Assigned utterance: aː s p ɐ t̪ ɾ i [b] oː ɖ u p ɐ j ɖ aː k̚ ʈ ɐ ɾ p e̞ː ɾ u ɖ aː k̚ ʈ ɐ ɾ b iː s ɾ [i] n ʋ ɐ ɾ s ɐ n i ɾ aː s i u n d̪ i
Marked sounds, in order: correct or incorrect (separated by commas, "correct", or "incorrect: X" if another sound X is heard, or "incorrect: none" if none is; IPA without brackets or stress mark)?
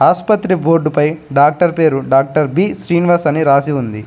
correct, incorrect: iː